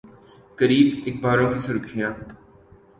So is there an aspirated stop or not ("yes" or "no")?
yes